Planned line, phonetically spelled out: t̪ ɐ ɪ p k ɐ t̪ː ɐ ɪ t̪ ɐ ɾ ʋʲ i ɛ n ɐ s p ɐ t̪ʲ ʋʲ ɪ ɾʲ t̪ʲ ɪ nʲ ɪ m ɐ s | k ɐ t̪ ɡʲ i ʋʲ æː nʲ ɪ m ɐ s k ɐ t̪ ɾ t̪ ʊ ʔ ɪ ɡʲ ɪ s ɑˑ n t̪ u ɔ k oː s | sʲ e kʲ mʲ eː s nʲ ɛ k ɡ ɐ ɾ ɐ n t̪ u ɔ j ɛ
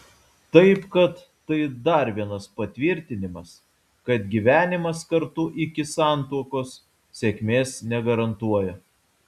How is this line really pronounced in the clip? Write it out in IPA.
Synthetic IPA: t̪ ɐ ɪ p k ɐ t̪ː ɐ ɪ d̪ ɐ ɾ ʋʲ i ɛ n ɐ s p ɐ t̪ʲ ʋʲ ɪ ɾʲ t̪ʲ ɪ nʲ ɪ m ɐ s | k ɐ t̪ ɡʲ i ʋʲ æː nʲ ɪ m ɐ s k ɐ ɾ t̪ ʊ ʔ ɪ kʲ ɪ s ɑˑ n t̪ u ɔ k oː s | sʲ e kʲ mʲ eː s nʲ ɛ ɡ ɐ ɾ ɐ n t̪ u ɔ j ɛ